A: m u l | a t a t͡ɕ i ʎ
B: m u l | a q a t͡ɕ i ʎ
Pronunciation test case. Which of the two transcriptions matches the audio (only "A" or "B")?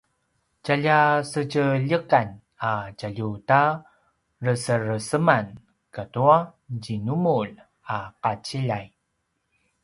B